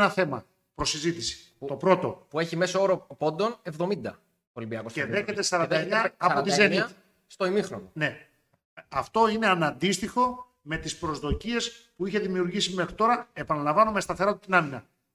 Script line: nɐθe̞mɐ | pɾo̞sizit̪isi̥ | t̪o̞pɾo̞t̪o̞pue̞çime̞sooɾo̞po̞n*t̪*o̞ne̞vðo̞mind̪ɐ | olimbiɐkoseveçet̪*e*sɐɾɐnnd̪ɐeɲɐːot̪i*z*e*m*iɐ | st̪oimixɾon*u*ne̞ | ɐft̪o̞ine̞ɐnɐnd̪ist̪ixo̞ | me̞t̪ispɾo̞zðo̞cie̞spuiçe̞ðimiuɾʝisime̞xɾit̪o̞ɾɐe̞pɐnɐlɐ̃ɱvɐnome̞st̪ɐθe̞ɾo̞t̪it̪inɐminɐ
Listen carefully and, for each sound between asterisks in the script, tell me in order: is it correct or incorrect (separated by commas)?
incorrect, correct, correct, incorrect, incorrect